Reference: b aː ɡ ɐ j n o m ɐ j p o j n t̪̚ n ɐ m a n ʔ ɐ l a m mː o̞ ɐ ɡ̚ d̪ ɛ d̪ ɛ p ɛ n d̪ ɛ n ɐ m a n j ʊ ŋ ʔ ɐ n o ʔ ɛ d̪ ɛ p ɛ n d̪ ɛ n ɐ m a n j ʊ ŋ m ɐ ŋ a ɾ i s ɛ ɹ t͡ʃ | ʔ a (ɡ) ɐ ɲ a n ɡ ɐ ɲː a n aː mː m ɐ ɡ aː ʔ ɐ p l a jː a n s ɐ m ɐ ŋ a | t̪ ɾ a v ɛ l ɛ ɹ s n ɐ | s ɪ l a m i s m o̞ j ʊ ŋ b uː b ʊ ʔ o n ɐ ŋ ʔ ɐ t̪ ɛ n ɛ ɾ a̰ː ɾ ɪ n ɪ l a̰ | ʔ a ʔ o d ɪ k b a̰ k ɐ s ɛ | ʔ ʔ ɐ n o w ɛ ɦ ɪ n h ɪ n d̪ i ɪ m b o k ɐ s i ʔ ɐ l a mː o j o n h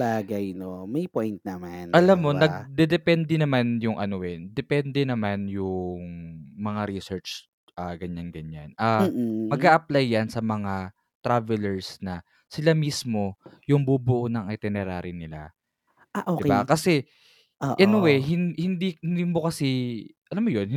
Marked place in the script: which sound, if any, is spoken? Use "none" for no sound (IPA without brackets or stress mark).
ɡ